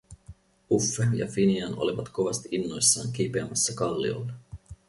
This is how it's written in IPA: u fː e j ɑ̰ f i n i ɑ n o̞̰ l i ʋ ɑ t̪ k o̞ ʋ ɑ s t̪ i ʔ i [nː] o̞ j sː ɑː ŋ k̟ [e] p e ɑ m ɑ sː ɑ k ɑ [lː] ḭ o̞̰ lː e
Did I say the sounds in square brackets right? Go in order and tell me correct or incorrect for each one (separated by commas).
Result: correct, incorrect, correct